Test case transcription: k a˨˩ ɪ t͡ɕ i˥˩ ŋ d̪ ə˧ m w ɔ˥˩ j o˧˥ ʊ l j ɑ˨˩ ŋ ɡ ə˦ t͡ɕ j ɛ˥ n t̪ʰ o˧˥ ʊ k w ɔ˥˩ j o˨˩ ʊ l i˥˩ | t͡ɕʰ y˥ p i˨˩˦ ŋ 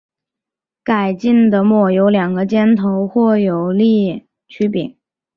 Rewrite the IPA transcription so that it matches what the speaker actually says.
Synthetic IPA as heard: k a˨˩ ɪ t͡ɕ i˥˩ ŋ d̪ ə˩ m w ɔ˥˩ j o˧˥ ʊ l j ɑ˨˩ ŋ ɡ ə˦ t͡ɕ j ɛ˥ n t̪ʰ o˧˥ ʊ x w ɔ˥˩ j o˨˩ ʊ l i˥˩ | t͡ɕʰ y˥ p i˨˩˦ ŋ